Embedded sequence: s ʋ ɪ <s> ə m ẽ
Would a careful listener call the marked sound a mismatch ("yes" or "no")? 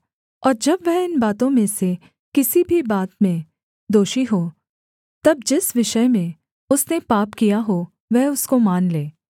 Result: yes